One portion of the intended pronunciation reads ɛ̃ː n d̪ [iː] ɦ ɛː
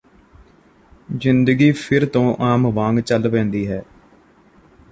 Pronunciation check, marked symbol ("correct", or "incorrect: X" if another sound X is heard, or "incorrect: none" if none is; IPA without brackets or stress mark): correct